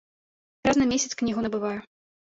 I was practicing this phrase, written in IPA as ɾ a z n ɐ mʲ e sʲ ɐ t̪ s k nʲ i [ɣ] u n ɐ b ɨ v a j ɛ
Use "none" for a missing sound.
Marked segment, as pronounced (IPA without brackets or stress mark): ɣ